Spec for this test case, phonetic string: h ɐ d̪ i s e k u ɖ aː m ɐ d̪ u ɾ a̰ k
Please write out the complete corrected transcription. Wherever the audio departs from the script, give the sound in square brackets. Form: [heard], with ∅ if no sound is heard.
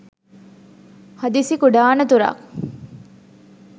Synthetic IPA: h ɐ d̪ i s [i] k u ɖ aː [n] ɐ [t̪] u ɾ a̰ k